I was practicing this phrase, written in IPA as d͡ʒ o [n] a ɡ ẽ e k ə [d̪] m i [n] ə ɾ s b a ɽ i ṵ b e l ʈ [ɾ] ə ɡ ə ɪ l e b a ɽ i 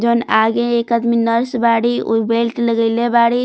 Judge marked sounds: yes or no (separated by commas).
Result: yes, yes, yes, no